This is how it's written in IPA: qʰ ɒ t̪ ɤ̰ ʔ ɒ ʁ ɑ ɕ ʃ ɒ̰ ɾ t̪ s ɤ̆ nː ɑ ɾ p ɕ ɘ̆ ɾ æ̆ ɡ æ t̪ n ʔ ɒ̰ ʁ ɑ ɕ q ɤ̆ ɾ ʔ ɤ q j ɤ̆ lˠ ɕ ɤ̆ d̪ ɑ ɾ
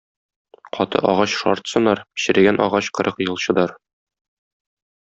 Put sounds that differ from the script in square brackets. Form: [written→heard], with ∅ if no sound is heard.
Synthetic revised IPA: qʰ ɒ t̪ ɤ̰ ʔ ɒ ʁ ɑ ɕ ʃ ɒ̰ ɾ t̪ s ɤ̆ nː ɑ ɾ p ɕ ɘ̆ ɾ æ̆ ɡ æ [t̪→∅] n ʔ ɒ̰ ʁ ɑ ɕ q ɤ̆ ɾ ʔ ɤ q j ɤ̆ lˠ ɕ ɤ̆ d̪ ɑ ɾ